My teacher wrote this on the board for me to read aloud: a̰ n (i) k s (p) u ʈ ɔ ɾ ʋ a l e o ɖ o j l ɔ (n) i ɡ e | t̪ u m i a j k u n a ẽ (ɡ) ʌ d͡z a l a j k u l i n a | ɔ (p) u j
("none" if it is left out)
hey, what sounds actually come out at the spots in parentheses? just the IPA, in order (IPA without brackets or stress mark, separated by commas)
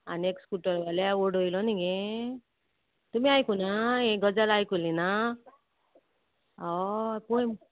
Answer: e, k, n, ɡ, p